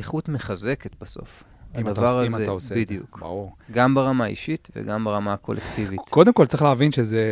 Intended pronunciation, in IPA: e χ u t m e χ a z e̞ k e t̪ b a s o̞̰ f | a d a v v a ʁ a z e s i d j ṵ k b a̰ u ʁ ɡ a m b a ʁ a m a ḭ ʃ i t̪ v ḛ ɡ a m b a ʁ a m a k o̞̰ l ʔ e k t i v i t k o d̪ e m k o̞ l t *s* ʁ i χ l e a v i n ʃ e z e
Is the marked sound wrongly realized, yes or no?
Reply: yes